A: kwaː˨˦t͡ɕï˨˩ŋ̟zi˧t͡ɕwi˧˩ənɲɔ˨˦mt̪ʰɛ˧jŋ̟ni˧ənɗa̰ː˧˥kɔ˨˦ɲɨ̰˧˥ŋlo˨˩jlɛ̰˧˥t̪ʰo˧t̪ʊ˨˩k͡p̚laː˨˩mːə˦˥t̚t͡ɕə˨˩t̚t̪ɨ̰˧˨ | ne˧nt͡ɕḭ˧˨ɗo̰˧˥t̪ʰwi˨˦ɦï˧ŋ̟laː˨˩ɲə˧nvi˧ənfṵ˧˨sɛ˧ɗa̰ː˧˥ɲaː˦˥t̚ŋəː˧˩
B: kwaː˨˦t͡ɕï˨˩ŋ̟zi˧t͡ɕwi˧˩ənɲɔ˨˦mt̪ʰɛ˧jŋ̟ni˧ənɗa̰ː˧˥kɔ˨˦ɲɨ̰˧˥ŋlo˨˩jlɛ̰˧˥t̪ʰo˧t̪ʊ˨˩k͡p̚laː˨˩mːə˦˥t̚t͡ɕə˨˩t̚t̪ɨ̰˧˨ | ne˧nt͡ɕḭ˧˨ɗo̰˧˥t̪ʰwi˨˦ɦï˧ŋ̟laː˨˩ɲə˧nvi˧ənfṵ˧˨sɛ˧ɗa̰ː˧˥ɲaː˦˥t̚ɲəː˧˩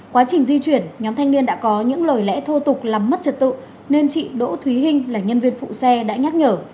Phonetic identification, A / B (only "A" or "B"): B